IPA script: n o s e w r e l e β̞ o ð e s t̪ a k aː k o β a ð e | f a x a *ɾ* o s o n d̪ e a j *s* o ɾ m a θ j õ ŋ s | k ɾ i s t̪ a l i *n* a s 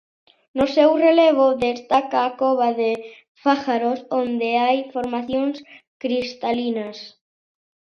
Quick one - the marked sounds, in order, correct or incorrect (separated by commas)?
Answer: correct, incorrect, correct